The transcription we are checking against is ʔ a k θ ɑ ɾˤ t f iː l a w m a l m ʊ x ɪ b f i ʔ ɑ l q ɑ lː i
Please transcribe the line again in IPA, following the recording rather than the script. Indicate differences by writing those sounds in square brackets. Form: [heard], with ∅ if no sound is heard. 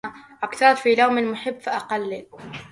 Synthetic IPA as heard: ʔ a k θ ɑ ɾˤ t f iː l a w m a l m ʊ [ħ] ɪ [bː] f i ʔ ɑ [∅] q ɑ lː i